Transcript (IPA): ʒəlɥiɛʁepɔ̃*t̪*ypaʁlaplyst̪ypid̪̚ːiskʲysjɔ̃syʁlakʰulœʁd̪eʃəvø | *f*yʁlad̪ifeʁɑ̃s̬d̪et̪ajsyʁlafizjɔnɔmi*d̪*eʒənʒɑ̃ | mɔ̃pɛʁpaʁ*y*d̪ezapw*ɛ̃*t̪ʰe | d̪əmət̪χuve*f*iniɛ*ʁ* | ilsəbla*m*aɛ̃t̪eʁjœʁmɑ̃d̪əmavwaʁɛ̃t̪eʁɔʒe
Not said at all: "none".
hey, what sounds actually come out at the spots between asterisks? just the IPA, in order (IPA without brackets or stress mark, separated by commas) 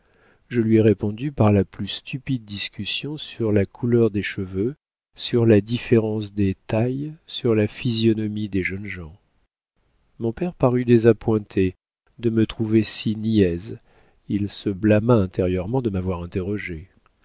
d̪, s, d̪, y, ɛ̃, s, z, m